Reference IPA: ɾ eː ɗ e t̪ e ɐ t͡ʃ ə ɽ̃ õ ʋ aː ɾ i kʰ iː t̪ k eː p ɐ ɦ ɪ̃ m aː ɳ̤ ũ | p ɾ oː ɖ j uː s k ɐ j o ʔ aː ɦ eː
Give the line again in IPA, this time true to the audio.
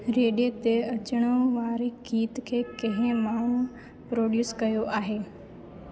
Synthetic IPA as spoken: ɾ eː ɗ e t̪ e ɐ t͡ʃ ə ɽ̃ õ ʋ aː ɾ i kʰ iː t̪ kʰ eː k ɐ ɦ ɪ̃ m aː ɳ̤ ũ | p ɾ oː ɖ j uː s k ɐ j o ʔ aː ɦ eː